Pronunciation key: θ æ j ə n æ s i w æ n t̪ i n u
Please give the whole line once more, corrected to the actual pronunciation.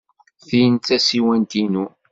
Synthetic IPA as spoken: θ i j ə n æ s i w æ n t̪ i n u